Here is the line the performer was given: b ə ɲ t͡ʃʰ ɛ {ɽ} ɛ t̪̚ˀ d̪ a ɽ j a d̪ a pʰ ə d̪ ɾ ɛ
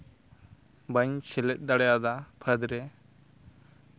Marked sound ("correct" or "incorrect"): incorrect